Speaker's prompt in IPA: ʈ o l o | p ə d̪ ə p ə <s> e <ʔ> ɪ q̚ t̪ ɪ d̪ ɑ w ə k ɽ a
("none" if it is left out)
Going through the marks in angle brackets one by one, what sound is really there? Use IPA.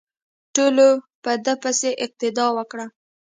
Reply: s, ʔ

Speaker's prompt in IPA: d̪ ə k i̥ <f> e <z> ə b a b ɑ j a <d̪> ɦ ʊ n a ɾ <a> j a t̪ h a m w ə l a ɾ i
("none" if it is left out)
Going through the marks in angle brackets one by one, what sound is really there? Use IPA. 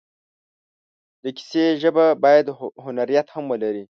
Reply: s, ʒ, d̪, i

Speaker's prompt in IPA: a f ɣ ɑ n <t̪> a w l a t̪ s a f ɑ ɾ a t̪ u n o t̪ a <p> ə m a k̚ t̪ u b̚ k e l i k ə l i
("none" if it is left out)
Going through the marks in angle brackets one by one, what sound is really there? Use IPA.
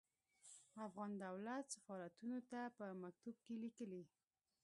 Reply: d̪, p

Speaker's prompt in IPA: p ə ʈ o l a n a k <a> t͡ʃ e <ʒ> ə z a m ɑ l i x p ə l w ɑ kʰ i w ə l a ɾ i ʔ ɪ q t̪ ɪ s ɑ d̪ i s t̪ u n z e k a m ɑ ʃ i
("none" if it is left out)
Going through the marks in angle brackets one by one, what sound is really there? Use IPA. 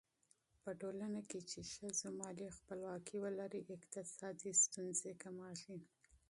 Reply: e, ʃ

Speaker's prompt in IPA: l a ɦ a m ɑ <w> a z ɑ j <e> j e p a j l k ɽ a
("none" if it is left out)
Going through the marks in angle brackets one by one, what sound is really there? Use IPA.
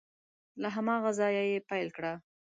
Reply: ɣ, a

